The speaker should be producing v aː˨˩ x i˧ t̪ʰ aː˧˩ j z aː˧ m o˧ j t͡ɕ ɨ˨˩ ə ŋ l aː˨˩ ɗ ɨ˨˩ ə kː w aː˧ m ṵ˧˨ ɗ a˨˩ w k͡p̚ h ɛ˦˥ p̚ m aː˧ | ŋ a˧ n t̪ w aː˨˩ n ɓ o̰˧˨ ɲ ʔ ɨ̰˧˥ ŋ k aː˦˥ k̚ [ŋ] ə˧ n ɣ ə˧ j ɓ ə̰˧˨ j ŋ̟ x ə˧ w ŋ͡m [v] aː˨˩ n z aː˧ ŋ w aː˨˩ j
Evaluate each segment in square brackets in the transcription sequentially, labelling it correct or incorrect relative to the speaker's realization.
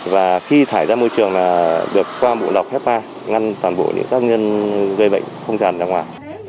incorrect: ɲ, incorrect: z

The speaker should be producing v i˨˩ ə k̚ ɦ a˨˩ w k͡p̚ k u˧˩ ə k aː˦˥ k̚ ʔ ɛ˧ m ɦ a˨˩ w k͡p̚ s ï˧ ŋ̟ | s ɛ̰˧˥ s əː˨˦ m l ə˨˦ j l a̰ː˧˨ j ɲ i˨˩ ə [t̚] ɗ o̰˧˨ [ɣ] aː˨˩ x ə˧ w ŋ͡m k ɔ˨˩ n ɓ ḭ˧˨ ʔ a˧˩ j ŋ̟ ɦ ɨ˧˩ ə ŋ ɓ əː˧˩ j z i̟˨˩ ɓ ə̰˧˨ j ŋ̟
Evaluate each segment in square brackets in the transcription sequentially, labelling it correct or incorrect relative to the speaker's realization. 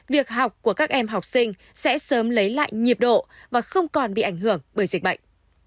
incorrect: p̚, incorrect: v

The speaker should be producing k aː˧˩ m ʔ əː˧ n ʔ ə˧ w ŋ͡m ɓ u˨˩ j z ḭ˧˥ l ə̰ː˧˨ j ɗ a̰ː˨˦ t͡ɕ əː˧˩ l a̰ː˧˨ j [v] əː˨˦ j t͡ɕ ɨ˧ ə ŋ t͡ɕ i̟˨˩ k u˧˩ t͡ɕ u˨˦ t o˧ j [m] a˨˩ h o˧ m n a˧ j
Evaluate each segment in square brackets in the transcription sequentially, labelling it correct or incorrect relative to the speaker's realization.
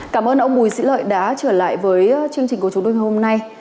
correct, incorrect: ŋ

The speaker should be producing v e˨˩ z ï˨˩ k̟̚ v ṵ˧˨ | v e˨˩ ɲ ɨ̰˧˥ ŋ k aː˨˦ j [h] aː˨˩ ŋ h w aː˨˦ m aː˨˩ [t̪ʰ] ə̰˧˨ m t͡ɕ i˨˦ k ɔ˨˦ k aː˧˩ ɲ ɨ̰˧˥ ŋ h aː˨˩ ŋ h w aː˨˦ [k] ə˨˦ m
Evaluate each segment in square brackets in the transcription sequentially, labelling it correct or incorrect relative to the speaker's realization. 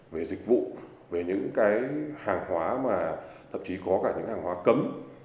correct, correct, correct

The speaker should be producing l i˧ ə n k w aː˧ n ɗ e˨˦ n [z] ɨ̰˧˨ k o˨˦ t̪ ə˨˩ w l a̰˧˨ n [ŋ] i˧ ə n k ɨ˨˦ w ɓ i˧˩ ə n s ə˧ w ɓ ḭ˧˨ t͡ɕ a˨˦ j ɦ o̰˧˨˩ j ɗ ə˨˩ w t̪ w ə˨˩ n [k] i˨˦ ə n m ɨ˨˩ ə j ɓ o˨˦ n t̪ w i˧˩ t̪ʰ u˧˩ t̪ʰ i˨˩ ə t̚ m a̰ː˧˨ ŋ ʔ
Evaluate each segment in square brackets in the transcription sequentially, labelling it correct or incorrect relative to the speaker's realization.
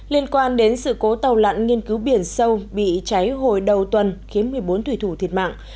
incorrect: s, correct, incorrect: x

